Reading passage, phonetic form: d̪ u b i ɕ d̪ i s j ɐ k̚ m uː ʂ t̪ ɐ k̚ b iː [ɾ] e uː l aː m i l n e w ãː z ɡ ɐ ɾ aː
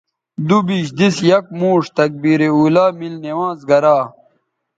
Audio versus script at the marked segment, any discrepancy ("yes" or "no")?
no